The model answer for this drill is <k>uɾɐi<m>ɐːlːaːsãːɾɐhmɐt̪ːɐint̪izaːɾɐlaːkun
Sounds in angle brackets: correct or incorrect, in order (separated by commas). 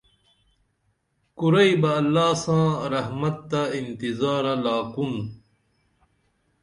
correct, incorrect